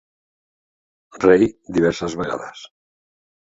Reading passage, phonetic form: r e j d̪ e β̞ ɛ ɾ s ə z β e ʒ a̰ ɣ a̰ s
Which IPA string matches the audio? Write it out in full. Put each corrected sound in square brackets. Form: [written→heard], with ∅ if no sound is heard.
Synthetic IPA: r e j d̪ [e→i] β̞ ɛ ɾ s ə z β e [ʒ→ɣ] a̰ [ɣ→ð] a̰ s